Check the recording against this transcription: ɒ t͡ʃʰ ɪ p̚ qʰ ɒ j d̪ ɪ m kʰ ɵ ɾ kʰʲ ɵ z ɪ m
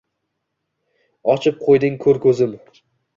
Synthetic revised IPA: ɒ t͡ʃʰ ɪ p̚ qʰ o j d̪ ɪ ŋ kʰ ɵ ɾ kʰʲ ɵ z ɪ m